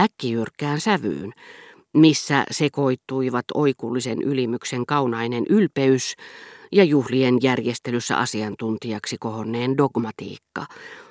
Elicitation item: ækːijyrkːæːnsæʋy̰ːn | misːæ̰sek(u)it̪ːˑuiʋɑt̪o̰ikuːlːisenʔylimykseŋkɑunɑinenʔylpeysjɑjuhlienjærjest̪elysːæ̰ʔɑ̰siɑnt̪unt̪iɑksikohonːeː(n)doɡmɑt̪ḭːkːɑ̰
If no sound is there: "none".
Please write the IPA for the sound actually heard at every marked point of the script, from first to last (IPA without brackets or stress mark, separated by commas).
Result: o, n